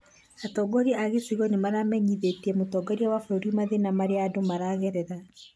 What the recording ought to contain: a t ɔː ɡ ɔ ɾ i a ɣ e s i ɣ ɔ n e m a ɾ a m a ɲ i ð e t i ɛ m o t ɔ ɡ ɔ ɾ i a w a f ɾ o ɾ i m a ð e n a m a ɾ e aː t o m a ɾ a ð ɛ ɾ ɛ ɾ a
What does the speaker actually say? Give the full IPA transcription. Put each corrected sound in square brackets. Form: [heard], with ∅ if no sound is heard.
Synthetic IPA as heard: a t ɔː ɡ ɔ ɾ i a ɣ e s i ɣ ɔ n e m a ɾ a m [ɛ] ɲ i ð e t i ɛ m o t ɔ ɡ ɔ ɾ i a w a f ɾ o ɾ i m a ð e n a m a ɾ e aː [d] o m a ɾ a [ɣ] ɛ ɾ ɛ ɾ a

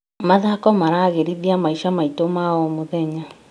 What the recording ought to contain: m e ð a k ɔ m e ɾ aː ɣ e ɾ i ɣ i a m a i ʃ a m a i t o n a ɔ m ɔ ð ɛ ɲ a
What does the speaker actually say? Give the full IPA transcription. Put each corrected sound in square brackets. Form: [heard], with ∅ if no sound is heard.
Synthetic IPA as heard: m [a] ð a k ɔ m [a] ɾ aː ɣ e ɾ i [ð] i a m a i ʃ a m a i t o [m] a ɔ m [o] ð ɛ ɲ a

